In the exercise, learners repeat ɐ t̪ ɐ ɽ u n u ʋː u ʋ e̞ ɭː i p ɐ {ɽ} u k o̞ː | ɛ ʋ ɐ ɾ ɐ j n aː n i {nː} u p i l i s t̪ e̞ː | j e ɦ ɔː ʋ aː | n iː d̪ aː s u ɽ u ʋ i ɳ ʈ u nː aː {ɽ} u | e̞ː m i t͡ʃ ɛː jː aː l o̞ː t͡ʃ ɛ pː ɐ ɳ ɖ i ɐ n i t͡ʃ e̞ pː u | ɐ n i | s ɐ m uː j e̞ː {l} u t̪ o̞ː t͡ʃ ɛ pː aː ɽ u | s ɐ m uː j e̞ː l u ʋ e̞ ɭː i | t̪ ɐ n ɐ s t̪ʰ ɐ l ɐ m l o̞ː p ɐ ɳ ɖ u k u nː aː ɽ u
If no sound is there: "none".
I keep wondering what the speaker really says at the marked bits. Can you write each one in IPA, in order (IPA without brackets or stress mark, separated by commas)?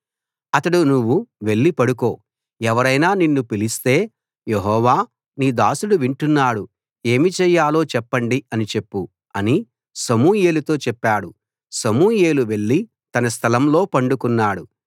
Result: ɽ, nː, ɽ, l